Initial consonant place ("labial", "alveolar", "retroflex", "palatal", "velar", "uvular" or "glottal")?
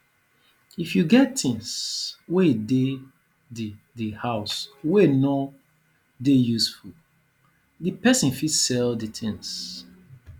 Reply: labial